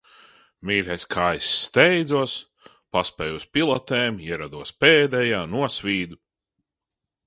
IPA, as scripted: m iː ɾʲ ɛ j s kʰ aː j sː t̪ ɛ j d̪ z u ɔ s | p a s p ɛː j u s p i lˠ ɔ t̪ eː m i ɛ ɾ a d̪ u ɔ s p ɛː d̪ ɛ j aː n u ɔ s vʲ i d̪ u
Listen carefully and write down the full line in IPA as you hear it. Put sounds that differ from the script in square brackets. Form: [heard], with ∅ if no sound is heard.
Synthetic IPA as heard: m iː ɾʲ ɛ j s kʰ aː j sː t̪ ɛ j d̪ z u ɔ s | p a s p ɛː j u s p i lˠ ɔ t̪ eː m i ɛ ɾ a d̪ u ɔ s p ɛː d̪ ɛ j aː n u ɔ s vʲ [iː] d̪ u